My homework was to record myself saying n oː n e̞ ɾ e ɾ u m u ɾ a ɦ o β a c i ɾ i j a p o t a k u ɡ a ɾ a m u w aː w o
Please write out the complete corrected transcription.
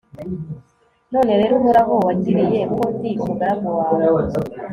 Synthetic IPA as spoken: n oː n e̞ ɾ e ɾ u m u ɾ a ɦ o w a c i ɾ i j e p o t i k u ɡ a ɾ a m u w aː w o